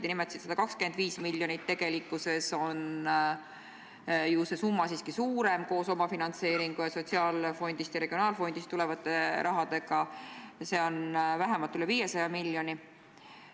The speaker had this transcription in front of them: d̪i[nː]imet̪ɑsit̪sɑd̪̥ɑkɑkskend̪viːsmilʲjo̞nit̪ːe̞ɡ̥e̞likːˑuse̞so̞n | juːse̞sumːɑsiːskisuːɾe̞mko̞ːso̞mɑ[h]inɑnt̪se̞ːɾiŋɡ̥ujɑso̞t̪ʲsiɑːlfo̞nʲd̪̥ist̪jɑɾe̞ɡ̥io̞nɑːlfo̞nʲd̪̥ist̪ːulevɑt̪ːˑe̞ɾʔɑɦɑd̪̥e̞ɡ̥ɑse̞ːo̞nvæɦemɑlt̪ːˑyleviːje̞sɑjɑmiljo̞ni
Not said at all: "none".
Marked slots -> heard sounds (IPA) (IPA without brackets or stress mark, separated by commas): n, f